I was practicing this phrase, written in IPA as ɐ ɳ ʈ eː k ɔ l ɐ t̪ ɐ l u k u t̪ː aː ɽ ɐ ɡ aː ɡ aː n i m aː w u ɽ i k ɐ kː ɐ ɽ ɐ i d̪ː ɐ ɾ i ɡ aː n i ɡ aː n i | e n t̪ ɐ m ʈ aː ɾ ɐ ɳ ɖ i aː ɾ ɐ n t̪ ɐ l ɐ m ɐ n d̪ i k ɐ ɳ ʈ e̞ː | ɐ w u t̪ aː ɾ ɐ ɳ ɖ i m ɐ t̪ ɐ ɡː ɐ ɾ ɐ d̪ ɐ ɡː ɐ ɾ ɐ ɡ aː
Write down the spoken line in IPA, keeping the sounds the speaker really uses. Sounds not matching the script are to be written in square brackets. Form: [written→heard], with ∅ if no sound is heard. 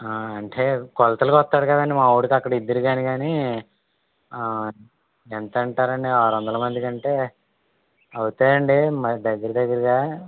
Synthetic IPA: ɐ ɳ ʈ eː k ɔ l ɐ t̪ ɐ l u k [u→ɔ] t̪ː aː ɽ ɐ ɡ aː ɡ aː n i m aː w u ɽ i k ɐ kː ɐ ɽ ɐ i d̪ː ɐ ɾ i ɡ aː n i ɡ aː n i | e n t̪ ɐ [m→ɳ] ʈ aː ɾ ɐ ɳ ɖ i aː ɾ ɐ n [t̪→d̪] ɐ l ɐ m ɐ n d̪ i k ɐ ɳ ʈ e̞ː | ɐ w u t̪ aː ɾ ɐ ɳ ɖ i m ɐ [t̪→d̪] ɐ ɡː ɐ ɾ ɐ d̪ ɐ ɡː ɐ ɾ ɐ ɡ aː